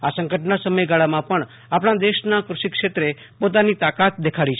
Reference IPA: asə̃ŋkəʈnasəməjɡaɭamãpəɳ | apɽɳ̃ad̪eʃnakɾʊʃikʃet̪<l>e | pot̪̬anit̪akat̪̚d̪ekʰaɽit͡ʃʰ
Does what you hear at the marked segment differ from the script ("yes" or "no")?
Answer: yes